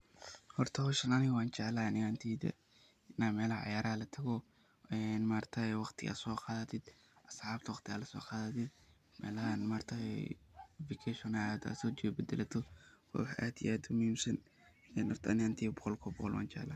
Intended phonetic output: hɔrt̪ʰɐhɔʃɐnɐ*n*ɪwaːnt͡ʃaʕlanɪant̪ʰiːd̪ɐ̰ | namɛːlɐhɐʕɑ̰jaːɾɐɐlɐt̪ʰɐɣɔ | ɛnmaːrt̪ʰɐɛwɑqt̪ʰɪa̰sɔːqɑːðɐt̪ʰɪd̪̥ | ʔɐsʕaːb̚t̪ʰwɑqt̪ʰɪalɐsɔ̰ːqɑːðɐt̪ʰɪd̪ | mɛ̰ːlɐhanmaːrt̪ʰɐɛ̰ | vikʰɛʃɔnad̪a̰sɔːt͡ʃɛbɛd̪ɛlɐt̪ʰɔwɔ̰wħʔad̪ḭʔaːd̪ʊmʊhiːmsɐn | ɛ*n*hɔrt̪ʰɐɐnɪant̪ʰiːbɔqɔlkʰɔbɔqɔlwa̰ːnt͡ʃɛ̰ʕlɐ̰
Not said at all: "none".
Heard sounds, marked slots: n, n

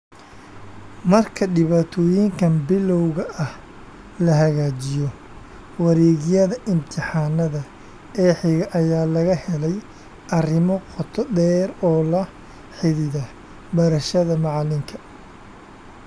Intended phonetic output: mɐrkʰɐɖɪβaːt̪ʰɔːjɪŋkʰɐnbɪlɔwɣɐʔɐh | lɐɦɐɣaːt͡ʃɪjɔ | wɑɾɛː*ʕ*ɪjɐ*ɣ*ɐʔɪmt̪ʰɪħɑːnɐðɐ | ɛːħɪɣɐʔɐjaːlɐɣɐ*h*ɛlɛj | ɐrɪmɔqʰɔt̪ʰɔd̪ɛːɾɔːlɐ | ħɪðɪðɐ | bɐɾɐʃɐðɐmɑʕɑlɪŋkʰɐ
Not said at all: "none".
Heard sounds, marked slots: ɣ, ð, h

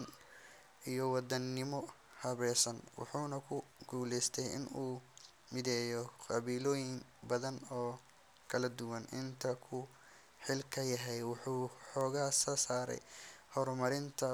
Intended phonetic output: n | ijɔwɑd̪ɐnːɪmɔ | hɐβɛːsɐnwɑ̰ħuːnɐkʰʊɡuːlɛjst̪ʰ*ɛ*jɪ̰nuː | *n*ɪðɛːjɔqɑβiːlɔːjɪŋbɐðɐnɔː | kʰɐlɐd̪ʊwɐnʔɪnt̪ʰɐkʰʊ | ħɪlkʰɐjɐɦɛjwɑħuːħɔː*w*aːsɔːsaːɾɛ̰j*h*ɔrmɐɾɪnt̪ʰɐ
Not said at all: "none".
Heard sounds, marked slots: ɛ, m, ɣ, h

